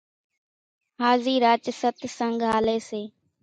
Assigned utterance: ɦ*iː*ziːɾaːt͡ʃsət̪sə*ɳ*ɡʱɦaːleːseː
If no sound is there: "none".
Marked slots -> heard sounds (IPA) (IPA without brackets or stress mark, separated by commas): aː, ŋ